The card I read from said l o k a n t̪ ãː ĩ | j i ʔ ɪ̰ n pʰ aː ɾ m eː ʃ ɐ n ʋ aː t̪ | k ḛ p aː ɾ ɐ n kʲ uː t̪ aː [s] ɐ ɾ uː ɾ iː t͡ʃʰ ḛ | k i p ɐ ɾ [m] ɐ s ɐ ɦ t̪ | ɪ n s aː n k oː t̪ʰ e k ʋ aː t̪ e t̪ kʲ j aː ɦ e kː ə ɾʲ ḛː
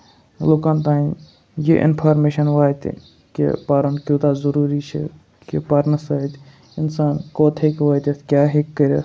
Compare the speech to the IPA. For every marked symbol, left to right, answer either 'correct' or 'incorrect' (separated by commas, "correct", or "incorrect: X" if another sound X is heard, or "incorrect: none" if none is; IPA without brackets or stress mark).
incorrect: z, incorrect: n